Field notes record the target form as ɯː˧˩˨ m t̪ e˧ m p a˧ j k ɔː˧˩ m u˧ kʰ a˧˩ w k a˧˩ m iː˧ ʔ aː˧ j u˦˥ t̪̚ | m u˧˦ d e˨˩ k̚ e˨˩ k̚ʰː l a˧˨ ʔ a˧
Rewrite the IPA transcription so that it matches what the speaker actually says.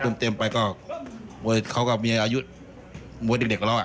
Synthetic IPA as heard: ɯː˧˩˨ m t̪ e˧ m p a˧ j k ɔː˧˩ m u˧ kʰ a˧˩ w k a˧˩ m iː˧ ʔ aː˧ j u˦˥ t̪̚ | m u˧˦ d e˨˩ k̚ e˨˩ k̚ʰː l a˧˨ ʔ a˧